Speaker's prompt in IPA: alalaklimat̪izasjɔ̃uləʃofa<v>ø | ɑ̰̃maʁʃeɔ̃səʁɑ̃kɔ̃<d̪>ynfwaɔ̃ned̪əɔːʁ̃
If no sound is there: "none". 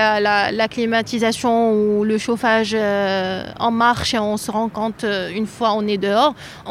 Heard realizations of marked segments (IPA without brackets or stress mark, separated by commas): ʒ, t̪